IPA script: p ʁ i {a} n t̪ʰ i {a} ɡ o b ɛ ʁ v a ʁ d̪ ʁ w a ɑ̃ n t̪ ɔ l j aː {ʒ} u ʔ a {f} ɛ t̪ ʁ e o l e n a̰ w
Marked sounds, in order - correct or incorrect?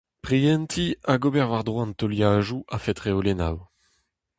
incorrect, correct, correct, correct

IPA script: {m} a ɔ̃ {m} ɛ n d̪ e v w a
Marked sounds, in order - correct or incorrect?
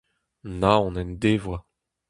incorrect, incorrect

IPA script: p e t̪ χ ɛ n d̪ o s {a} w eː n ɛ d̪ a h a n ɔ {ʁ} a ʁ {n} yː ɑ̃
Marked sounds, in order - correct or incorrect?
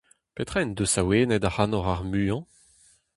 correct, correct, incorrect

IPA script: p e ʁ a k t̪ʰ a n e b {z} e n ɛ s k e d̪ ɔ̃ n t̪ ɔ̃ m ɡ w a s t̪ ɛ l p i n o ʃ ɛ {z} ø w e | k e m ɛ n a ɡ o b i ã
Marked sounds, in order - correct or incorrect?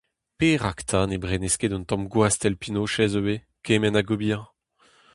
incorrect, correct

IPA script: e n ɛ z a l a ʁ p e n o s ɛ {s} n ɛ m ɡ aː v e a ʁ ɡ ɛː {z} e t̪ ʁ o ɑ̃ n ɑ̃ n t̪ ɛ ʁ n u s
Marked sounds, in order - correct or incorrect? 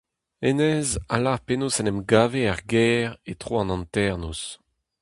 incorrect, incorrect

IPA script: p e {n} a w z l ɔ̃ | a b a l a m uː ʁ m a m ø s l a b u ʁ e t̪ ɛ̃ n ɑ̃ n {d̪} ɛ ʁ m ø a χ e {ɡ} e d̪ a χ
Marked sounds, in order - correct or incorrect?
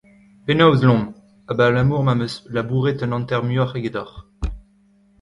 correct, incorrect, correct

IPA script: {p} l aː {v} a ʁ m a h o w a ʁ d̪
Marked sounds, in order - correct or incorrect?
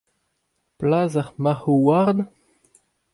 correct, incorrect

